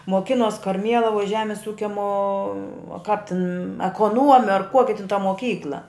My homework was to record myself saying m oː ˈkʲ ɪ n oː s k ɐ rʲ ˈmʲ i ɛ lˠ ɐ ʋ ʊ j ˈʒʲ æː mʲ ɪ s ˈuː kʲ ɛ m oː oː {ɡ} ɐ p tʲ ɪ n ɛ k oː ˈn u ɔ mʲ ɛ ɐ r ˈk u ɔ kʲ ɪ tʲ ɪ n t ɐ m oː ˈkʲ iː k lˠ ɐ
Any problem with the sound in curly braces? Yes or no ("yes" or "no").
yes